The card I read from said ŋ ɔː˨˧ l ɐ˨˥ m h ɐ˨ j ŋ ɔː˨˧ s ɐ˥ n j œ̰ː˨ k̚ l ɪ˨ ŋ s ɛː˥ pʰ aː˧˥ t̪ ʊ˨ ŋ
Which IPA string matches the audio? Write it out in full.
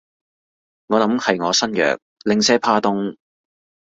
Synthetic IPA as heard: ŋ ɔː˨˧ l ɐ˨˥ m h ɐ˨ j ŋ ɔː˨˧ s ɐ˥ n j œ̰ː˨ k̚ l ɪ˨ ŋ s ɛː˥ pʰ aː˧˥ t̪ ʊ˥ ŋ